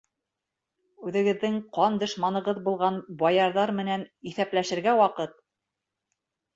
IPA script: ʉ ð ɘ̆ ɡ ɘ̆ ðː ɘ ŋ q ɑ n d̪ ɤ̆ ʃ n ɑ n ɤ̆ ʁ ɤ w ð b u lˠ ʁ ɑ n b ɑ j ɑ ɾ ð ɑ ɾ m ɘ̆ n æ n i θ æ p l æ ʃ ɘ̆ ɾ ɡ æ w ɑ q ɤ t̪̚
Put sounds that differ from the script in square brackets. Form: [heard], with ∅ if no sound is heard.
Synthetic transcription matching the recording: ʉ ð ɘ̆ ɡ ɘ̆ ðː ɘ ŋ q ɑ n d̪ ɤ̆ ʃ [m] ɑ n ɤ̆ ʁ ɤ [∅] ð b u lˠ ʁ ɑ n b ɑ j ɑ ɾ ð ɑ ɾ m ɘ̆ n æ n i θ æ p l æ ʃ ɘ̆ ɾ ɡ æ w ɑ q ɤ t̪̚